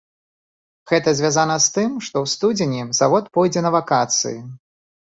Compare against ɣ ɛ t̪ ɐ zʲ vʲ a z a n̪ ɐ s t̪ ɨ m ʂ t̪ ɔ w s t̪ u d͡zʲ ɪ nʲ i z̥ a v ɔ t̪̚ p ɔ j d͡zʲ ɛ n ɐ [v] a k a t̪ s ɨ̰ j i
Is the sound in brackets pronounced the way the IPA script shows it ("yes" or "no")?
yes